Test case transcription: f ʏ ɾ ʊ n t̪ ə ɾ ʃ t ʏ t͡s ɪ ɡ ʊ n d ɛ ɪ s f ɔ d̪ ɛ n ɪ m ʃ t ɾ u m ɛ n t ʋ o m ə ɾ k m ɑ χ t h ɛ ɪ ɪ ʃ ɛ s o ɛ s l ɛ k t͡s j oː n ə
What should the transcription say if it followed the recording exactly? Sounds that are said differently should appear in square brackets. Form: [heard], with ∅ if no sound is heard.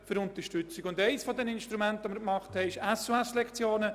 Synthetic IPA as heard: f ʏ ɾ ʊ n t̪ ə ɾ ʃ t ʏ t͡s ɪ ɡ ʊ n d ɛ ɪ s f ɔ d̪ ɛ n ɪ [n] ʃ t ɾ u m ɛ n t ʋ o m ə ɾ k m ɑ χ t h ɛ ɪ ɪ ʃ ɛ s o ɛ s l ɛ k t͡s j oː n ə